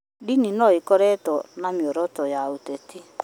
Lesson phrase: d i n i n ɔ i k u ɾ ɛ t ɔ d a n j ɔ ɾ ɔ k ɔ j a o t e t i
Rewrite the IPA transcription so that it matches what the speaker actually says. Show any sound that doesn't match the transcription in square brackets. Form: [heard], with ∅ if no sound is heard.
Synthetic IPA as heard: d i n i n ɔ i k [ɔ] ɾ ɛ t ɔ [n] a [m] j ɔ ɾ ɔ [t] ɔ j a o t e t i